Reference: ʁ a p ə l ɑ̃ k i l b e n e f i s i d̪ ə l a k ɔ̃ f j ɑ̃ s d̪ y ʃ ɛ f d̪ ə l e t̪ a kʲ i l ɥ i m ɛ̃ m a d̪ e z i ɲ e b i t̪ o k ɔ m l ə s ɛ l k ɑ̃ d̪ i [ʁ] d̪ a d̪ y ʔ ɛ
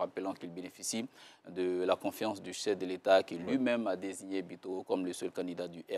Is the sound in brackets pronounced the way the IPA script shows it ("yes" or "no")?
no